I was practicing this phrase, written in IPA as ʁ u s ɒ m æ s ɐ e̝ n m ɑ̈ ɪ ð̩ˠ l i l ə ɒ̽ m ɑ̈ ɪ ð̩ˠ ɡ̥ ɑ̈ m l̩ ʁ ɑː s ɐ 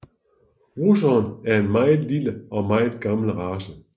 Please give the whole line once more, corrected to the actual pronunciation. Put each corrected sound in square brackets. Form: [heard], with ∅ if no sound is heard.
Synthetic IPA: ʁ u s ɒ [n] æ [∅] ɐ e̝ n m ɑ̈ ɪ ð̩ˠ l i l ə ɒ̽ m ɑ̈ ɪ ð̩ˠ ɡ̥ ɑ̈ m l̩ ʁ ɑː s [ə]